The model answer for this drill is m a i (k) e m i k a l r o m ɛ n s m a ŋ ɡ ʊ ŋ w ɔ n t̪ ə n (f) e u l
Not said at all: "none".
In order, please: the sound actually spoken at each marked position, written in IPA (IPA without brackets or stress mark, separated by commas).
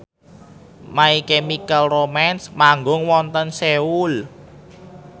k, s